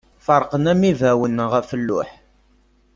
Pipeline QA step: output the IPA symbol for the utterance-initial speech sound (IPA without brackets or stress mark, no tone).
f